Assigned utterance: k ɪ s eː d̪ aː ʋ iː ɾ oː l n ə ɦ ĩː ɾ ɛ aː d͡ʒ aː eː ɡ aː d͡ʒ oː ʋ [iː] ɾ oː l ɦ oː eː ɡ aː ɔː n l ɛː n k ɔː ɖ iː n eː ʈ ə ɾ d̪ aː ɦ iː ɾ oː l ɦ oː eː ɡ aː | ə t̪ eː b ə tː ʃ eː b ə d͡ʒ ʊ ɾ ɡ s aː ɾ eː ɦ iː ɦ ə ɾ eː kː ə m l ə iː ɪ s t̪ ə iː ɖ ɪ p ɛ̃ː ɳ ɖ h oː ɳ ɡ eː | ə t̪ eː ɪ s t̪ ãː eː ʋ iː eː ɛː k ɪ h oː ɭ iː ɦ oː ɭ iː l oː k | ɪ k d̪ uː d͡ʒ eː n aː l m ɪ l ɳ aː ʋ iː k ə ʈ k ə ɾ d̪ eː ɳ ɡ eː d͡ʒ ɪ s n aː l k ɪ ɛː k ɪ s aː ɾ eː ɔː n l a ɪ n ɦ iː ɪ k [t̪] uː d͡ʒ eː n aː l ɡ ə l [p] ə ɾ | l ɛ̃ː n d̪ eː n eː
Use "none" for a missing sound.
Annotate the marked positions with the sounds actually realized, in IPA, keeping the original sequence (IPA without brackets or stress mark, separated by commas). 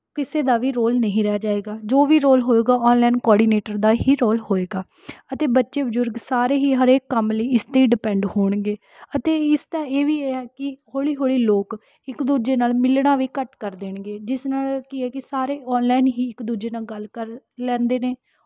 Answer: iː, d̪, k